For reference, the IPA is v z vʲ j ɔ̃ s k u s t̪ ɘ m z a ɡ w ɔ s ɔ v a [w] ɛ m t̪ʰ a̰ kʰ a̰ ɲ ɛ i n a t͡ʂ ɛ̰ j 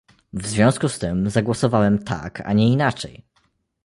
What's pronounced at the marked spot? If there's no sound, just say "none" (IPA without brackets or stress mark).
w